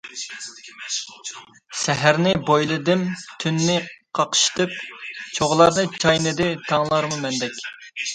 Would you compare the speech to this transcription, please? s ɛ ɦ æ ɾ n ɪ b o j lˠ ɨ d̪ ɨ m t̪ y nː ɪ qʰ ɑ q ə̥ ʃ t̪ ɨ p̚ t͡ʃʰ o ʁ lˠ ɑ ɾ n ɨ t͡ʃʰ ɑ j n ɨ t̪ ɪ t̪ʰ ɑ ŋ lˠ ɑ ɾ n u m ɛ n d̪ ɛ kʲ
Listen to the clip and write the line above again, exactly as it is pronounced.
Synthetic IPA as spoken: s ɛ ɦ æ ɾ n ɪ b o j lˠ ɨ d̪ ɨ m t̪ʰ y nː ɪ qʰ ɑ q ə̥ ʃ t̪ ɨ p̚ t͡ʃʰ o ʁ lˠ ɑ ɾ n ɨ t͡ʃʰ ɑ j n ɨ d̪ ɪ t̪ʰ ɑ ŋ lˠ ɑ ɾ m u m ɛ n d̪ ɛ kʲ